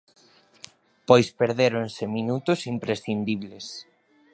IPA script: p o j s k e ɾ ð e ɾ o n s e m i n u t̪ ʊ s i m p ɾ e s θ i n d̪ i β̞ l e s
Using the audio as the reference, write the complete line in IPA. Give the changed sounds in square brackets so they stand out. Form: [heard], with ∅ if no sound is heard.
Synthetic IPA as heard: p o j s [p] e ɾ ð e ɾ o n s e m i n u t̪ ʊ s i m p ɾ e s θ i n d̪ i β̞ l e s